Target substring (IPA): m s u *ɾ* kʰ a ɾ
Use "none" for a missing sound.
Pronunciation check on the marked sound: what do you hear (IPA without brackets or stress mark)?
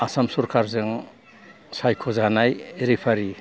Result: ɾ